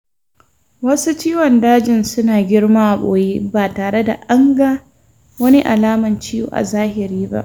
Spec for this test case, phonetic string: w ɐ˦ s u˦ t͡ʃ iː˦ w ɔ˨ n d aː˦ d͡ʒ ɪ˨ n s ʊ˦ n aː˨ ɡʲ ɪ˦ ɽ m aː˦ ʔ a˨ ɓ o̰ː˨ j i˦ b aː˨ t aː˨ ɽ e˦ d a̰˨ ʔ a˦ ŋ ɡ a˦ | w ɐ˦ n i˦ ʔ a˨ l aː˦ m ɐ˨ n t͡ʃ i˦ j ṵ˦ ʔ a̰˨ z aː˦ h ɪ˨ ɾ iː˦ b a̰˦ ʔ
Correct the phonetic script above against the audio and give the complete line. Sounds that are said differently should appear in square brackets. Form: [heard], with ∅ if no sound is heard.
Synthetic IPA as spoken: w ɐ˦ s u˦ t͡ʃ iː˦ w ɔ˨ n d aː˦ d͡ʒ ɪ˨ n s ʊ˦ n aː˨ ɡʲ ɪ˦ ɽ m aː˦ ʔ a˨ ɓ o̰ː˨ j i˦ b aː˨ t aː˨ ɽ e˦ d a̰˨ ʔ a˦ ŋ ɡ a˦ | w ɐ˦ n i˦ ʔ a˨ l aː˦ m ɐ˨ n t͡ʃ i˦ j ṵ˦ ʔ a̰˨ z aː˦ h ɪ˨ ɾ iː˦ b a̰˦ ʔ